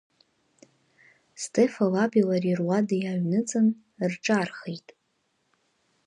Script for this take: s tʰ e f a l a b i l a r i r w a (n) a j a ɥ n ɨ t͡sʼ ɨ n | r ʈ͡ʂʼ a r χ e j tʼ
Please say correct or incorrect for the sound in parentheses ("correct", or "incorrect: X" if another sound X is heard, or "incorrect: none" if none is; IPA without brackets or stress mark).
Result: incorrect: d